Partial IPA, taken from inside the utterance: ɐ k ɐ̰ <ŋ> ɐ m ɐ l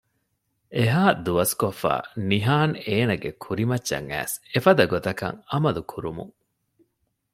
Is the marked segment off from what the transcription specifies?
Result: no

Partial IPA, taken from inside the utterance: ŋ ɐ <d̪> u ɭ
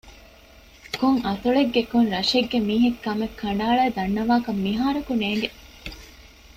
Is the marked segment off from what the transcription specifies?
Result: yes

